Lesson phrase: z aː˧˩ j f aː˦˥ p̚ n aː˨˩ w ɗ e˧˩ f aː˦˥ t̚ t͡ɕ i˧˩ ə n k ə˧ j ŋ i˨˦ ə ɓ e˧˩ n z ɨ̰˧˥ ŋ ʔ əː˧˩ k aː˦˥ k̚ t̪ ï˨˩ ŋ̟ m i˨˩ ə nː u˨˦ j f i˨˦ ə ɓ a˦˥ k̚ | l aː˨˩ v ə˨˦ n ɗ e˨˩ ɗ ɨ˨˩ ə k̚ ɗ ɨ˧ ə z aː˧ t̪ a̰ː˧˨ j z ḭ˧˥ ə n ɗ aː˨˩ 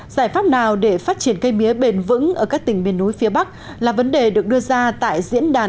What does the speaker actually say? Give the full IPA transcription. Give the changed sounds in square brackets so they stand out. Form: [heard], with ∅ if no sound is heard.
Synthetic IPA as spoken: z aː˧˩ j f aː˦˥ p̚ n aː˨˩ w ɗ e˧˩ f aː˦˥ t̚ t͡ɕ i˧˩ ə n k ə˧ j [m] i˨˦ ə ɓ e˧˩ n [v] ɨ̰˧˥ ŋ ʔ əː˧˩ k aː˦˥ k̚ t̪ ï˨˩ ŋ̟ m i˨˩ ə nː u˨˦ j f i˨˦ ə ɓ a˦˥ k̚ | l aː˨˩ v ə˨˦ n ɗ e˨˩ ɗ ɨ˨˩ ə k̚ ɗ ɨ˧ ə z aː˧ t̪ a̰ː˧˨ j z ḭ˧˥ ə n ɗ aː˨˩

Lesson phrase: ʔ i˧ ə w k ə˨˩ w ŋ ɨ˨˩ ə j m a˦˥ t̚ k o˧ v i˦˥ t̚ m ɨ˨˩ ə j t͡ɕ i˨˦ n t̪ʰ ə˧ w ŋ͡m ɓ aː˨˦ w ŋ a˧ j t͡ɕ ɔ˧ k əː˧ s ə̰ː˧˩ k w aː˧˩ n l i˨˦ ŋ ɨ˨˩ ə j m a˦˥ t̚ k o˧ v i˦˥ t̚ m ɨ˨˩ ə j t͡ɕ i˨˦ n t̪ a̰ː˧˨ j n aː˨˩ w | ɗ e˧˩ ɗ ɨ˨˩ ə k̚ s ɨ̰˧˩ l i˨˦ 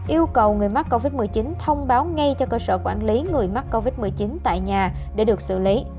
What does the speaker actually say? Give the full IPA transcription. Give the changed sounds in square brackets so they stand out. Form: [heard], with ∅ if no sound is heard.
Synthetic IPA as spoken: ʔ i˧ ə w k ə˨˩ w ŋ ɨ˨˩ ə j m a˦˥ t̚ k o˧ v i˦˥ t̚ m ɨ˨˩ ə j t͡ɕ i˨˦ n t̪ʰ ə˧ w ŋ͡m ɓ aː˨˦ w ŋ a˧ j t͡ɕ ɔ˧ k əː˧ s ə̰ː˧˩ k w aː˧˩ n l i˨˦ ŋ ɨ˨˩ ə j m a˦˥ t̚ k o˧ v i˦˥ t̚ m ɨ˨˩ ə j t͡ɕ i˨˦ n t̪ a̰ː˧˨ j [ɲ] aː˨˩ [∅] | ɗ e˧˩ ɗ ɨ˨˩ ə k̚ s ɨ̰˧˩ l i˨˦

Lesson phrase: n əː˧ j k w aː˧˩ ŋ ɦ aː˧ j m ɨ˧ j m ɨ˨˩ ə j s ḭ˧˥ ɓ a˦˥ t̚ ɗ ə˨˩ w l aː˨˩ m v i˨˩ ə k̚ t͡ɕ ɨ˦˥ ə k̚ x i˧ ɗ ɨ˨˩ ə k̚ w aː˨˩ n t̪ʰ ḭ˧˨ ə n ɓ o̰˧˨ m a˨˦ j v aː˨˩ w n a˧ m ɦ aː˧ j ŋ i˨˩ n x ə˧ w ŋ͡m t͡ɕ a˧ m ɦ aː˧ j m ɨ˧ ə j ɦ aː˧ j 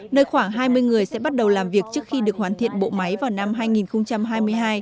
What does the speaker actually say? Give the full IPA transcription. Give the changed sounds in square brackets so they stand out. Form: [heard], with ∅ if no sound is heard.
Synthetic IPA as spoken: n əː˧ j [x] w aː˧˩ ŋ ɦ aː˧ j m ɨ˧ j [ŋ] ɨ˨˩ ə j s [ɛ̰˧˥] ɓ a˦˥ t̚ ɗ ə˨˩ w l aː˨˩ m v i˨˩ ə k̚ t͡ɕ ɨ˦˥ ə k̚ x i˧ ɗ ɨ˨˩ ə k̚ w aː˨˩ n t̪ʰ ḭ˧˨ ə n ɓ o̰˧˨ m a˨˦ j v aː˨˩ w n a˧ m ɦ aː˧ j ŋ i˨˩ n x ə˧ w ŋ͡m t͡ɕ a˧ m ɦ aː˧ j m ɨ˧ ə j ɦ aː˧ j

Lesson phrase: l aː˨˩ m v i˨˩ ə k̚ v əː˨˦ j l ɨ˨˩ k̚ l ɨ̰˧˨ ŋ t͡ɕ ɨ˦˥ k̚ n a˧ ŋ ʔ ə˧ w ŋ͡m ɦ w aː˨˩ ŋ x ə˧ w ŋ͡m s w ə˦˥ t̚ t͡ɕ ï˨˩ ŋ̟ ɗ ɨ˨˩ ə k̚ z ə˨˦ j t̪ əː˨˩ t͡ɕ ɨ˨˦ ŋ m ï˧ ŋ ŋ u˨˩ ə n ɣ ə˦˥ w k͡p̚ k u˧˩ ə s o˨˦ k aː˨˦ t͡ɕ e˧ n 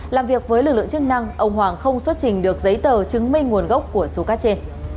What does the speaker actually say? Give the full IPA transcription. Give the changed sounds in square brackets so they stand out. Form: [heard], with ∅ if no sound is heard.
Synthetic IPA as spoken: l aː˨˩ m v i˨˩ ə k̚ v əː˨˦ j l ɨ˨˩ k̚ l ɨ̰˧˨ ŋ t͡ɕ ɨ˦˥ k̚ n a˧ ŋ ʔ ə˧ w ŋ͡m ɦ w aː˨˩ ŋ x ə˧ w ŋ͡m s w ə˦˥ t̚ t͡ɕ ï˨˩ ŋ̟ ɗ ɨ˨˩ ə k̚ z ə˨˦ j t̪ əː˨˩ t͡ɕ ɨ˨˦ ŋ m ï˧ ŋ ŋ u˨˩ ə n ɣ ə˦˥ w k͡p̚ k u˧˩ ə s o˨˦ k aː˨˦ t͡ɕ e˧ n

